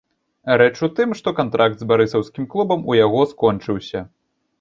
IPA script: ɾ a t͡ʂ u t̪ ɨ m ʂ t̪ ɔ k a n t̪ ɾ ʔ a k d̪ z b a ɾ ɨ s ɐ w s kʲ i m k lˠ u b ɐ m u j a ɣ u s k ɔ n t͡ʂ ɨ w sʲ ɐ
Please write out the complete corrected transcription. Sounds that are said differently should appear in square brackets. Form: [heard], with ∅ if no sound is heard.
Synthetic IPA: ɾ [ɛ] t͡ʂ u t̪ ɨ m ʂ t̪ ɔ k a n t̪ ɾ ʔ a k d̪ z b a ɾ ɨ s ɐ w s kʲ i m k lˠ u b ɐ m u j a ɣ [ɔ] s k ɔ n t͡ʂ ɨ w sʲ ɐ